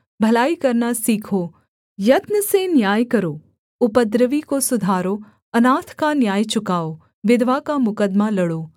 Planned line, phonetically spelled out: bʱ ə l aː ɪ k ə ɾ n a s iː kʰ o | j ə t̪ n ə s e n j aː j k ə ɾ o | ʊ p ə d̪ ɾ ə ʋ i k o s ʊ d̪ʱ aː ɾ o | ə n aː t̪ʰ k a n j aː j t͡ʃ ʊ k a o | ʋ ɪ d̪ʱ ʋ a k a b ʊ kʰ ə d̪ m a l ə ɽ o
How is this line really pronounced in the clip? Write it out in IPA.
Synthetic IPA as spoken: bʱ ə l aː i k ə ɾ n a s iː kʰ o | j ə t̪ n ə s e n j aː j k ə ɾ o | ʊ p ə d̪ ɾ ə ʋ i k o s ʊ d̪ʱ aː ɾ o | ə n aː t̪ʰ k a n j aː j t͡ʃ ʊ k a o | ʋ ɪ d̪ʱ ʋ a k a m ʊ k ə d̪ m a l ə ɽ o